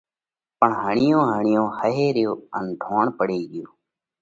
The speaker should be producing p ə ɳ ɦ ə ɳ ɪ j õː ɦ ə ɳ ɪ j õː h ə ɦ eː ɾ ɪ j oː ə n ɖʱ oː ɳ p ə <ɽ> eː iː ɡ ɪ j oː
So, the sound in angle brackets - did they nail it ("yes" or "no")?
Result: yes